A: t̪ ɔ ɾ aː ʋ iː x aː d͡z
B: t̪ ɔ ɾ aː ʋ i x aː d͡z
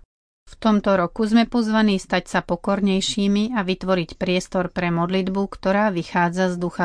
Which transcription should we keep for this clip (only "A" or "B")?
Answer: B